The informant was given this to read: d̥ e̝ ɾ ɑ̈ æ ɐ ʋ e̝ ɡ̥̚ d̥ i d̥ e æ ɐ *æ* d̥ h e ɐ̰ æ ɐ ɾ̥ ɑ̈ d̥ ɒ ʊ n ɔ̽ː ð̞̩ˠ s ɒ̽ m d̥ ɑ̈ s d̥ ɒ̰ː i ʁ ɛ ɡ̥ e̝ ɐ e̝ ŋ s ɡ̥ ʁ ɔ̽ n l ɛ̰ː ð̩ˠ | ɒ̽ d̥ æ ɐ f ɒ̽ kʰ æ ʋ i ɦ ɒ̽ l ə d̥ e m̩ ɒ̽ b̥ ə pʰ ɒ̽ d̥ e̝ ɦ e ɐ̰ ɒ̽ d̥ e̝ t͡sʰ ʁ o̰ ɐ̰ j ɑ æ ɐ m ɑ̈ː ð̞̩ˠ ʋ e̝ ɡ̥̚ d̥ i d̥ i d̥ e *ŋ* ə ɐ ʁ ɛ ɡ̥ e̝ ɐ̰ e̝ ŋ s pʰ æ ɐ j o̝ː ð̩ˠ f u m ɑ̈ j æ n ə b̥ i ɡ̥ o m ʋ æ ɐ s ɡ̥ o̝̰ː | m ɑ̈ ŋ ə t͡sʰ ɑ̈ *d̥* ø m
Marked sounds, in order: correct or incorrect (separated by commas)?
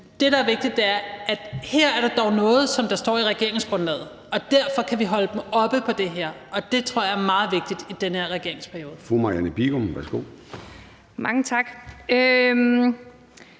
correct, incorrect, incorrect